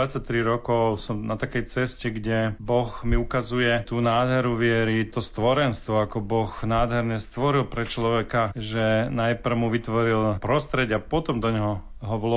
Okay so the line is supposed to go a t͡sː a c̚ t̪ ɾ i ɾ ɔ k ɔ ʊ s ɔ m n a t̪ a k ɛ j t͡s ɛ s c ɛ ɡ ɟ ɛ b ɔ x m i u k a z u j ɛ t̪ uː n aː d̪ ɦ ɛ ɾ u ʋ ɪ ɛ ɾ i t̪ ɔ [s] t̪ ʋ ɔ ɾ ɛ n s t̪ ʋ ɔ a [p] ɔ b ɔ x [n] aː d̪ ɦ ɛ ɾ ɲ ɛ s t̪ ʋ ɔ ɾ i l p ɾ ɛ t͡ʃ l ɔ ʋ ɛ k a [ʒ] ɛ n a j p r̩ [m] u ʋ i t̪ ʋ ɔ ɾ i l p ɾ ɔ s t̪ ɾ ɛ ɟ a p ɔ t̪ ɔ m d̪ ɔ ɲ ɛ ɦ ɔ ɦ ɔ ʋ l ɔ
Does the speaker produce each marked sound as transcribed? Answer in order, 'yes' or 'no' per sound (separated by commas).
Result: yes, no, yes, yes, yes